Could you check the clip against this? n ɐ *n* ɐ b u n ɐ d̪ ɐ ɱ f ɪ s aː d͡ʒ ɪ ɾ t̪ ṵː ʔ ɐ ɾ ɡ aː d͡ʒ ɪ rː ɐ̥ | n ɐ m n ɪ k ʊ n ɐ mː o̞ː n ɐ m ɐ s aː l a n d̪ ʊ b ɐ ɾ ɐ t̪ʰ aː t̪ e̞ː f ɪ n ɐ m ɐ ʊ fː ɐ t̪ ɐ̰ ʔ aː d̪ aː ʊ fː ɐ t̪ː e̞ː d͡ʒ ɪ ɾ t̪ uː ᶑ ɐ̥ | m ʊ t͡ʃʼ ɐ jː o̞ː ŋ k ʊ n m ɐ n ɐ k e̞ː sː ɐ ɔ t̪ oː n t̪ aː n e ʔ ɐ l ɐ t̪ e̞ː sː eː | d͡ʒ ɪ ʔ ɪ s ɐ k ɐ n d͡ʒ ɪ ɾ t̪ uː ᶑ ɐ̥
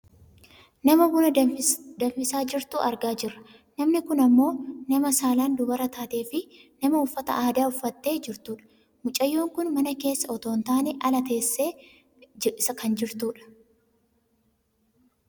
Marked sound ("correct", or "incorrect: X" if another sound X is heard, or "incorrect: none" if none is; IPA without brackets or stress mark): incorrect: m